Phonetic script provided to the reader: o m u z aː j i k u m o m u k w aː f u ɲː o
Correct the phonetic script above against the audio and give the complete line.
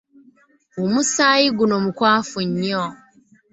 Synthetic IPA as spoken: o m u s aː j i ɡ u n o m u k w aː f u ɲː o